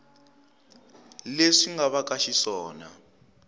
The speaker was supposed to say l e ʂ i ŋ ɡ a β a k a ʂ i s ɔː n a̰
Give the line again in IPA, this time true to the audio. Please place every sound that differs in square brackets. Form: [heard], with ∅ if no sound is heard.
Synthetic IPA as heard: l e ʂ i ŋ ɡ a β a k a [ʃ] i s ɔː n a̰